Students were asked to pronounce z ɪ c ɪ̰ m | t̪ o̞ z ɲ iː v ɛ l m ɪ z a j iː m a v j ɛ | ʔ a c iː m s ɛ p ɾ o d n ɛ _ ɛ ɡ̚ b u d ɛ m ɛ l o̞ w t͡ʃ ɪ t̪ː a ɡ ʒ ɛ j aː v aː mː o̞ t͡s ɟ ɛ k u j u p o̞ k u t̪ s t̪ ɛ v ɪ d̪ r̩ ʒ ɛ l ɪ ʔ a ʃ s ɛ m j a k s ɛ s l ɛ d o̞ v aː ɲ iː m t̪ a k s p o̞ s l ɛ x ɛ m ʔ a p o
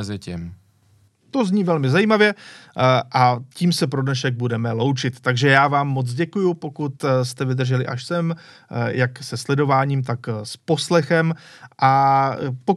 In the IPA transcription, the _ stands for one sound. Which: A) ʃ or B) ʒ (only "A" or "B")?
A